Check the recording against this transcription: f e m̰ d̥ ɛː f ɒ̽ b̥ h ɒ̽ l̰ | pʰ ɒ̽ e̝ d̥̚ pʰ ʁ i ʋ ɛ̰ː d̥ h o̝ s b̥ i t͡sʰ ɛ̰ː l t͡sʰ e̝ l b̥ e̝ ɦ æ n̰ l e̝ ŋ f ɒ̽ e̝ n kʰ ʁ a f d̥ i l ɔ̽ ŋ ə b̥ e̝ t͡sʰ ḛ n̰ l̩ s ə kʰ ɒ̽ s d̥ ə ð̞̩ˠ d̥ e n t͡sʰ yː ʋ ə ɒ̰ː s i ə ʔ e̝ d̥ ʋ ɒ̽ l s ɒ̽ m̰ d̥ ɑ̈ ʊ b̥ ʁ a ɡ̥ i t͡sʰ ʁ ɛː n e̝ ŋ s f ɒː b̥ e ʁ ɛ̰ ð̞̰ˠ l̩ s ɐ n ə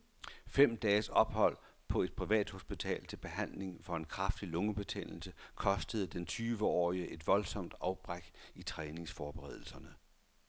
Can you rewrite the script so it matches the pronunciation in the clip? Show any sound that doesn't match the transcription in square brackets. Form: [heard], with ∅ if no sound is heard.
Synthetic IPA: f e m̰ d̥ ɛː [s] ɒ̽ b̥ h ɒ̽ l̰ | pʰ ɒ̽ e̝ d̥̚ pʰ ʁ i ʋ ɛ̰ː d̥ h o̝ s b̥ i t͡sʰ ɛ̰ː l t͡sʰ e̝ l b̥ e̝ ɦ æ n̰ l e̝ ŋ f ɒ̽ e̝ n kʰ ʁ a f d̥ i l ɔ̽ ŋ ə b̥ e̝ t͡sʰ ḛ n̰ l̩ s ə kʰ ɒ̽ s d̥ ə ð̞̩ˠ d̥ e n t͡sʰ yː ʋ ə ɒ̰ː [∅] i ə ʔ e̝ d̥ ʋ ɒ̽ l s ɒ̽ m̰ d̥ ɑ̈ ʊ b̥ ʁ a ɡ̥ i t͡sʰ ʁ ɛː n e̝ ŋ s f ɒː b̥ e ʁ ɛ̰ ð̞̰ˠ l̩ s ɐ n ə

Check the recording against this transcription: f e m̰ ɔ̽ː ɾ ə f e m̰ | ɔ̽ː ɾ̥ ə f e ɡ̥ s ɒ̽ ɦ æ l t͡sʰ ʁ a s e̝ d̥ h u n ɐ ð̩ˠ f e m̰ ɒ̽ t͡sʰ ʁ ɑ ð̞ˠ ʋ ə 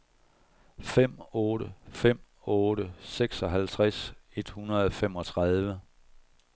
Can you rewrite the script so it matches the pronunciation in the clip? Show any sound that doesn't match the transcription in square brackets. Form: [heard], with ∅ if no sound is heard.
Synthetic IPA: f e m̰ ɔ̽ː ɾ ə f e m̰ | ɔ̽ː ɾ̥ ə [s] e ɡ̥ s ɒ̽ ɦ æ l t͡sʰ ʁ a s e̝ d̥ h u n ɐ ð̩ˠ f e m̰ ɒ̽ t͡sʰ ʁ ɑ ð̞ˠ ʋ ə

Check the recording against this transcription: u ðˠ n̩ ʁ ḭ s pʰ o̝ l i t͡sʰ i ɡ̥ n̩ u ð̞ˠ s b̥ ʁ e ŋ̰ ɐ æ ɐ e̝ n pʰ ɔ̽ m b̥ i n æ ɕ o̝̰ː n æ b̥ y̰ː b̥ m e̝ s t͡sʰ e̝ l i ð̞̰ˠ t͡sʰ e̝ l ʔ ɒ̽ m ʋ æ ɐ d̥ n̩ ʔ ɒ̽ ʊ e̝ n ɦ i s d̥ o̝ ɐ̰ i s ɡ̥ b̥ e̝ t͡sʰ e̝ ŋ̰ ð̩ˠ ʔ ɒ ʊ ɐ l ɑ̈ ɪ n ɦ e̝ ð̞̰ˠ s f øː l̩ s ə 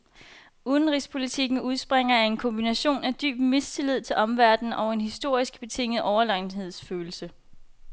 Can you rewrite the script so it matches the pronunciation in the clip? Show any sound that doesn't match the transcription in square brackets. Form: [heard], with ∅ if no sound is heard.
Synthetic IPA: u ðˠ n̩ ʁ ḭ s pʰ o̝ l i t͡sʰ i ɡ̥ n̩ u ð̞ˠ s b̥ ʁ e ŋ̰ ɐ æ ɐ e̝ n [kʰ] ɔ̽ m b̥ i n æ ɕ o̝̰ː n æ [d̥] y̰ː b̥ m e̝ s t͡sʰ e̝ l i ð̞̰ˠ t͡sʰ e̝ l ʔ ɒ̽ m ʋ æ ɐ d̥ n̩ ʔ ɒ̽ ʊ e̝ n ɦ i s d̥ o̝ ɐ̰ i s ɡ̥ b̥ e̝ t͡sʰ e̝ ŋ̰ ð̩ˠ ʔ ɒ ʊ ɐ l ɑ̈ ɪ n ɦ e̝ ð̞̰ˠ s f øː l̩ s ə

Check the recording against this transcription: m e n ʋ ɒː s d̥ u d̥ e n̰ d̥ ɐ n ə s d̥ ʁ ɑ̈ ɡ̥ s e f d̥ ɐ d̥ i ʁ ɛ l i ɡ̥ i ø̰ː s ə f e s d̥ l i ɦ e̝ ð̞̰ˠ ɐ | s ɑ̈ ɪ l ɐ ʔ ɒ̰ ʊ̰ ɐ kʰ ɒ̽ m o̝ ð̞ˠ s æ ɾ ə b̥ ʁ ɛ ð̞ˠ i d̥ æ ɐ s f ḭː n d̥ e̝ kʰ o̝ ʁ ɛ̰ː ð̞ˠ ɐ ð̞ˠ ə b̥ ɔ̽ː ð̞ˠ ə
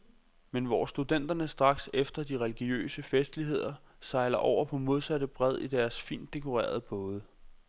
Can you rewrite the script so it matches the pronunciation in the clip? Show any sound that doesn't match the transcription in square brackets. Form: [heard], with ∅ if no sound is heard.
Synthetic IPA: m e n ʋ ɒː s d̥ u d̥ e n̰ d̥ ɐ n ə s d̥ ʁ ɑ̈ ɡ̥ s e f d̥ ɐ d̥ i ʁ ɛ l i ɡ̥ i ø̰ː s ə f e s d̥ l i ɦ e̝ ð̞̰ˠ ɐ | s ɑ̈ ɪ l ɐ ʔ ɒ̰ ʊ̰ ɐ [pʰ] ɒ̽ m o̝ ð̞ˠ s æ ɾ ə b̥ ʁ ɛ ð̞ˠ i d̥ æ ɐ s f ḭː n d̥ e̝ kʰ o̝ ʁ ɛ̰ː [∅] ɐ ð̞ˠ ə b̥ ɔ̽ː ð̞ˠ ə

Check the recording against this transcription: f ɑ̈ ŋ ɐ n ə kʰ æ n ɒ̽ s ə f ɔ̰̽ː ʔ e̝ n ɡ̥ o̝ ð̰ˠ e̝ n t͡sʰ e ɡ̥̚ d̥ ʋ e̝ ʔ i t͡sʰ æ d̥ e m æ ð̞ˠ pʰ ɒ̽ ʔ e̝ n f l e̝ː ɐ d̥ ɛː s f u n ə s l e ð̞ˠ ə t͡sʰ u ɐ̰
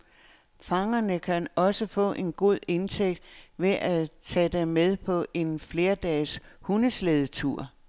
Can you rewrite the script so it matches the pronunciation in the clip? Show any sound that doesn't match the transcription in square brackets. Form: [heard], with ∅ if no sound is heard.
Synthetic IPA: f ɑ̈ ŋ ɐ n ə kʰ æ n ɒ̽ s ə f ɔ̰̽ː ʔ e̝ n ɡ̥ o̝ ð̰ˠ e̝ n t͡sʰ e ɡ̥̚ d̥ ʋ e̝ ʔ [æ] t͡sʰ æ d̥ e m [e] ð̞ˠ pʰ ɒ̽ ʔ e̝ n f l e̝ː ɐ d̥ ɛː s [h] u n ə s l e ð̞ˠ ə t͡sʰ u ɐ̰

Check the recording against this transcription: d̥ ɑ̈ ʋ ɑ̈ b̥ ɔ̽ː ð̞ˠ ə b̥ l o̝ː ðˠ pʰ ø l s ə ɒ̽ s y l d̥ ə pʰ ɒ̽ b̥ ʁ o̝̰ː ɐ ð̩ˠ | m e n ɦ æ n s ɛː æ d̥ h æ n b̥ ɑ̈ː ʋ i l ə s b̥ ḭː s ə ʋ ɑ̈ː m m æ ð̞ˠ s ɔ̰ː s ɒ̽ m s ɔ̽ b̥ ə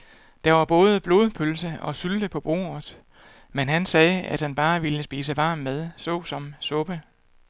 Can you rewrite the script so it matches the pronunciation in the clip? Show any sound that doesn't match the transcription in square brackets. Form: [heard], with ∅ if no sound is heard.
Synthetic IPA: d̥ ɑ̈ ʋ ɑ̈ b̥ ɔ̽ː ð̞ˠ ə b̥ l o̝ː ðˠ pʰ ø l s ə ɒ̽ s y l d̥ ə pʰ ɒ̽ b̥ ʁ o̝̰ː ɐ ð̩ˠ | m e n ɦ æ n s ɛː æ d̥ h æ n b̥ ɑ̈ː ʋ i l ə s b̥ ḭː s ə ʋ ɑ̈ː m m [e] ð̞ˠ s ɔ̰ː s ɒ̽ m s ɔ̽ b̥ ə

